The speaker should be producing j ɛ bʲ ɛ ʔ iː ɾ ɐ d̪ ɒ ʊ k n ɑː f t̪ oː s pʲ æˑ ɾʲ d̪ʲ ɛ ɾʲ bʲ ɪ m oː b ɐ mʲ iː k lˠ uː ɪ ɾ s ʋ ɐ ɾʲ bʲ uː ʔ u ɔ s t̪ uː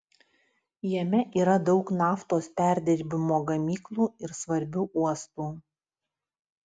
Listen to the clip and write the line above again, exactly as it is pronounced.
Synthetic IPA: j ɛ mʲ ɛ ʔ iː ɾ ɐ d̪ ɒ ʊ k n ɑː f t̪ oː s pʲ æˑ ɾʲ d̪ʲ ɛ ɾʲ bʲ ɪ m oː ɡ ɐ mʲ iː k lˠ uː ɪ ɾ s ʋ ɐ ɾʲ bʲ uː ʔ u ɔ s t̪ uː